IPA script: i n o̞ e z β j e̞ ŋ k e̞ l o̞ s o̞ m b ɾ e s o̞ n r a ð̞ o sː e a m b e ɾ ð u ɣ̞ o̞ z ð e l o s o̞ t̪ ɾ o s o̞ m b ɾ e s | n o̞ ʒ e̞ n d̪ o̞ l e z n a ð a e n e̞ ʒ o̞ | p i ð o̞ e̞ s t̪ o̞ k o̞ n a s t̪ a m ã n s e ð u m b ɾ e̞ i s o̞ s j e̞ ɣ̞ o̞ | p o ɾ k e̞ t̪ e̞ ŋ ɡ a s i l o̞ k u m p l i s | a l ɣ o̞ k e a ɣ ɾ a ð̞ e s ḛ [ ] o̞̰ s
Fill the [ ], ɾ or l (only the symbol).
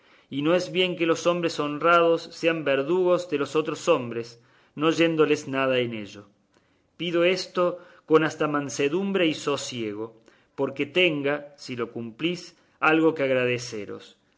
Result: ɾ